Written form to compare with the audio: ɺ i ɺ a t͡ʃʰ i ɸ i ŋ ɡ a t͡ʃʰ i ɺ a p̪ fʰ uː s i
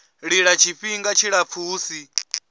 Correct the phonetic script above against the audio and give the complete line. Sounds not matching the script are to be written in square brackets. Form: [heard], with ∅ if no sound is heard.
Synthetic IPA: ɺ i ɺ a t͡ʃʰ i ɸ i ŋ ɡ a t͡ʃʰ i ɺ a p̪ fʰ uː s i